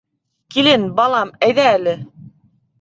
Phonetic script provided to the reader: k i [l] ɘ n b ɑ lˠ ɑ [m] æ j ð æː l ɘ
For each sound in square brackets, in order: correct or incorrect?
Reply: correct, correct

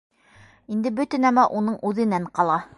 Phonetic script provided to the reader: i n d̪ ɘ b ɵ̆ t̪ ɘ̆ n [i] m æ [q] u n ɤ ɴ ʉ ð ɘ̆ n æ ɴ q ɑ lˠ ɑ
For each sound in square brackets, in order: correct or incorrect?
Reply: incorrect, incorrect

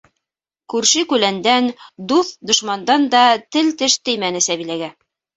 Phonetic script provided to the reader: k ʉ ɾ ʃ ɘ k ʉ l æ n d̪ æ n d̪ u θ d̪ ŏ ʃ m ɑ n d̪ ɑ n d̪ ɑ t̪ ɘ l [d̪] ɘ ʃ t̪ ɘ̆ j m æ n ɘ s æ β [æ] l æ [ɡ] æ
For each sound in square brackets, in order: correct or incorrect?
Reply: incorrect, incorrect, correct

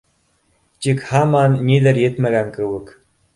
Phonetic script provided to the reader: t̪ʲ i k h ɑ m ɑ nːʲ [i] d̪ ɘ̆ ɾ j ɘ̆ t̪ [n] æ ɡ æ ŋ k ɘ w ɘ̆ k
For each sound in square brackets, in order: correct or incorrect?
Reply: correct, incorrect

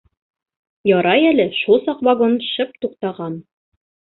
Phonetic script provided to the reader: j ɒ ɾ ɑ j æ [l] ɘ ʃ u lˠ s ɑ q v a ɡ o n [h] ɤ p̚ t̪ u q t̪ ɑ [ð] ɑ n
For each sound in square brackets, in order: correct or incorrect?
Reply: correct, incorrect, incorrect

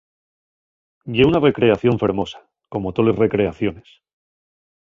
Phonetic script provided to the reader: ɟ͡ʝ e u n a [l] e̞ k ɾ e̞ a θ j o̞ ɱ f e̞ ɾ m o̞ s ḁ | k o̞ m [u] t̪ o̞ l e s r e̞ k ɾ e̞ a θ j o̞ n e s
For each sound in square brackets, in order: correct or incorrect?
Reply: incorrect, incorrect

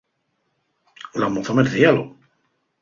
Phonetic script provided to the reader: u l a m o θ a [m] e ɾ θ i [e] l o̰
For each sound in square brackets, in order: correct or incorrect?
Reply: correct, incorrect

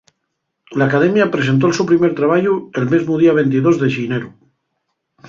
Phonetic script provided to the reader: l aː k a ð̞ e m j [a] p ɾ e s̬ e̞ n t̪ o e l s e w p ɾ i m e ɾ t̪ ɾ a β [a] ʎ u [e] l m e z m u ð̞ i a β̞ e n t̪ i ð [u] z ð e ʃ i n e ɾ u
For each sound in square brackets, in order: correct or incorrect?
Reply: correct, correct, correct, incorrect

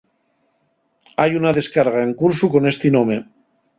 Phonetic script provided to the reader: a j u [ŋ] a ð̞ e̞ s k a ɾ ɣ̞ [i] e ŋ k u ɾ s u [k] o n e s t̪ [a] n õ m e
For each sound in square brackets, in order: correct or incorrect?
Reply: incorrect, incorrect, correct, incorrect

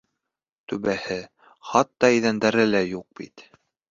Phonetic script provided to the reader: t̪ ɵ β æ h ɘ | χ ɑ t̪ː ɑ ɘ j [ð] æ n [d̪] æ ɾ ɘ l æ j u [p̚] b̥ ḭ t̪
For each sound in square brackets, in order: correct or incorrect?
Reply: correct, correct, incorrect

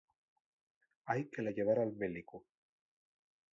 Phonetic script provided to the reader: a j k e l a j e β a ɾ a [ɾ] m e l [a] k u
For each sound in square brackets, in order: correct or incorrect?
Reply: incorrect, incorrect

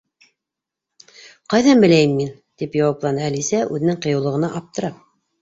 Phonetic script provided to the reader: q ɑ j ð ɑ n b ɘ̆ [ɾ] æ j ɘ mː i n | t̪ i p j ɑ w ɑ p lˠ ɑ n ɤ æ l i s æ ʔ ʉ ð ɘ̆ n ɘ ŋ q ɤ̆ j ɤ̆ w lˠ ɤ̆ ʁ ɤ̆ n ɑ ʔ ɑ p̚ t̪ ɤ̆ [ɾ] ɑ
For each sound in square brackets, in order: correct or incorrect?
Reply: incorrect, correct

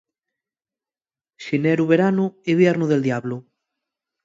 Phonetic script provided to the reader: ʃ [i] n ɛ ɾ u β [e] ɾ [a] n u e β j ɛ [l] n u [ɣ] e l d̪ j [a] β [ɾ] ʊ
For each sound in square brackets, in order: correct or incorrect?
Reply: correct, correct, correct, incorrect, incorrect, correct, incorrect

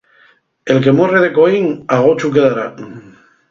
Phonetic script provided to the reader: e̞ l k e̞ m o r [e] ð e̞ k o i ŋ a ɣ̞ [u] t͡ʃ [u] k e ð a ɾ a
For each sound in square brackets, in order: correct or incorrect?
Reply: correct, incorrect, correct

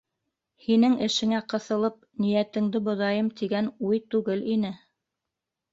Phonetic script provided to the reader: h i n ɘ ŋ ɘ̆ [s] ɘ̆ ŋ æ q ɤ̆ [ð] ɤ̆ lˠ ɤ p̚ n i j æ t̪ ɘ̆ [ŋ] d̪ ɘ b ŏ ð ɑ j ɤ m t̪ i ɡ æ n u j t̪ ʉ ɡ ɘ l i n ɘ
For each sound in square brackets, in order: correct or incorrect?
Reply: incorrect, incorrect, correct

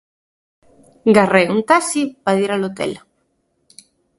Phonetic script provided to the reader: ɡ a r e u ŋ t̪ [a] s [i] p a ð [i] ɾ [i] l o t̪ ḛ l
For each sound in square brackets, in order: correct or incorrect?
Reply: correct, correct, correct, incorrect

